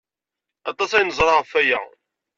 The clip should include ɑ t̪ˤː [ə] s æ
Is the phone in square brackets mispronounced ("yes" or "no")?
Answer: yes